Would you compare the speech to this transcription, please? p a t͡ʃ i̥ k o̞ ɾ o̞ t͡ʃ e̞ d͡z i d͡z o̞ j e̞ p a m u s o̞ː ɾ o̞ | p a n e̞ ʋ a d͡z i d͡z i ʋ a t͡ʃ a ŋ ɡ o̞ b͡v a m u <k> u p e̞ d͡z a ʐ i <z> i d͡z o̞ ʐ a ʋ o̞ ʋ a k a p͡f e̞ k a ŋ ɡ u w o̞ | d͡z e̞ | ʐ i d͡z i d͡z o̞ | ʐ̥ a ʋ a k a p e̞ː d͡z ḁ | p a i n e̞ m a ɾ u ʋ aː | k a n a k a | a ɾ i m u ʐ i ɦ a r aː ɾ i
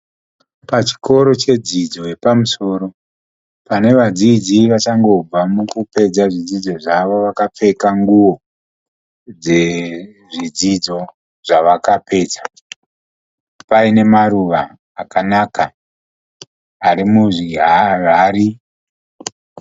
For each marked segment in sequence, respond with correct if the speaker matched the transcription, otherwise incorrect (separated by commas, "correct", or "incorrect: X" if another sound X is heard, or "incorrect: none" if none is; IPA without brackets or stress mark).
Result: correct, incorrect: d͡z